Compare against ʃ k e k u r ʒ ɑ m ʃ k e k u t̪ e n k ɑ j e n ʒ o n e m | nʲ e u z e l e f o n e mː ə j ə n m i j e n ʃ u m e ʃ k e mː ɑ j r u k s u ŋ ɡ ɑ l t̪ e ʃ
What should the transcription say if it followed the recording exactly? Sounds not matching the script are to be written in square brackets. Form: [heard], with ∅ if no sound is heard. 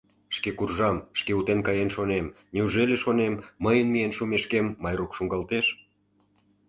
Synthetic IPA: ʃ k e k u r ʒ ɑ m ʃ k e [∅] u t̪ e n k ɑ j e n [ʃ] o n e m | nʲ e u [ʒ] e l e [ʃ] o n e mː ə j ə n m i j e n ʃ u m e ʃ k e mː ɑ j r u k [ʃ] u ŋ ɡ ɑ l t̪ e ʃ